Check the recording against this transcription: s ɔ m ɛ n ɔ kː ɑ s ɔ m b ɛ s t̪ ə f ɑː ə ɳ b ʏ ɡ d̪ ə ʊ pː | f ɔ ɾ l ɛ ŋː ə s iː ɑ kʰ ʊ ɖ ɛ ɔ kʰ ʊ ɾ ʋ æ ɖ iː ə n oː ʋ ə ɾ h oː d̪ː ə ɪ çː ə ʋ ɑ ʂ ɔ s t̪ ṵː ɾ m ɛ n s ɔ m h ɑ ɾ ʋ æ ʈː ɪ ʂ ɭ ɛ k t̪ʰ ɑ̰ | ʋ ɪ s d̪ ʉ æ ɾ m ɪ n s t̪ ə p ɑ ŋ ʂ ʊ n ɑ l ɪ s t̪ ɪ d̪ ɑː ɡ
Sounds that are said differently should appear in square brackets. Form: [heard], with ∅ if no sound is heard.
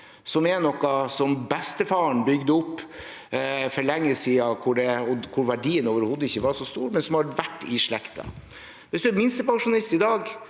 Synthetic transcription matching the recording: s ɔ m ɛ n ɔ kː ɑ s ɔ m b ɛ s t̪ ə f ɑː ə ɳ b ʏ ɡ d̪ ə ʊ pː | f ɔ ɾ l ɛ ŋː ə s iː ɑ kʰ ʊ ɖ ɛ ɔ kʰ ʊ ɾ ʋ æ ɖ iː ə n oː ʋ ə ɾ h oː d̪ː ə ɪ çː ə ʋ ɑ ʂ ɔ s t̪ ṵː ɾ m ɛ n s ɔ m h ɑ ɾ ʋ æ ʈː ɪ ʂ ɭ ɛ k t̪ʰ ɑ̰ | ʋ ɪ s d̪ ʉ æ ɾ m ɪ n s t̪ ə p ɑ ŋ ʂ ʊ n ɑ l ɪ s t̪ ɪ d̪ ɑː ɡ